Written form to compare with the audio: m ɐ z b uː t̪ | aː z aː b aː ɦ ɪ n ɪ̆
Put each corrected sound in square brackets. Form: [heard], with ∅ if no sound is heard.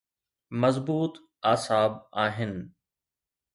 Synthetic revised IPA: m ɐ z b uː t̪ | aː [s] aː b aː ɦ ɪ n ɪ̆